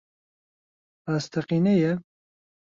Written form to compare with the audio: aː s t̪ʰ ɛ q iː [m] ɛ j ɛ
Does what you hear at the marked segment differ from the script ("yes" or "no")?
yes